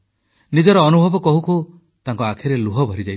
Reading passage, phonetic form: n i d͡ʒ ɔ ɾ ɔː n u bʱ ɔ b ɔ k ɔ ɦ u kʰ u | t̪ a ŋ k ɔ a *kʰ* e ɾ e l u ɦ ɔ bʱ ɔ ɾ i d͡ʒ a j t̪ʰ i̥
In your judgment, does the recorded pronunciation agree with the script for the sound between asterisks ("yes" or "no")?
yes